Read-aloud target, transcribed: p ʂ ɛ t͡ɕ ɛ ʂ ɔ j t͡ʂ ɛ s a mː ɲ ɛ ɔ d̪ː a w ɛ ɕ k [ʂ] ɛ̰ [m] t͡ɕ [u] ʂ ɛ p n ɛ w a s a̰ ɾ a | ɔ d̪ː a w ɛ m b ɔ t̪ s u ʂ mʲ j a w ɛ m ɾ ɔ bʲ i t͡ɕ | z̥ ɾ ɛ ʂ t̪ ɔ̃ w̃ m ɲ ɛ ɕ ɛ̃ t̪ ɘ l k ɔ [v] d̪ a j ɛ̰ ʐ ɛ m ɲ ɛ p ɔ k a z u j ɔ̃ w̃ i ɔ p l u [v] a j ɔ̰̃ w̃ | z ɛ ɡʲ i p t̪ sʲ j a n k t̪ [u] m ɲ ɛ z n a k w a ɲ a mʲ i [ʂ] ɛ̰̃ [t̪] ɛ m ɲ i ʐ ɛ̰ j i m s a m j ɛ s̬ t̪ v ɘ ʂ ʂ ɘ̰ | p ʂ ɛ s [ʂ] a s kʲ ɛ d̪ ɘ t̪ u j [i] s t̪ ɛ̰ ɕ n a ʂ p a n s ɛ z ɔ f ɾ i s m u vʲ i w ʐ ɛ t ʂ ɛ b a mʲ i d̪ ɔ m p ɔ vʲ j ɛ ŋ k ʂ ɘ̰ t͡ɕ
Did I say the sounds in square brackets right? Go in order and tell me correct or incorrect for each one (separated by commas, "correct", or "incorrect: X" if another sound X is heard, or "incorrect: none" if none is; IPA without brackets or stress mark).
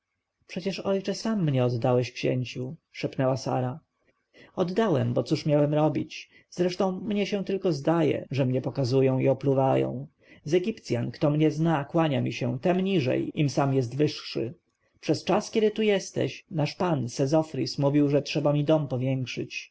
incorrect: ɕ, incorrect: ɲ, correct, incorrect: z, correct, incorrect: ɔ, incorrect: ɕ, correct, incorrect: t͡ʂ, incorrect: ɛ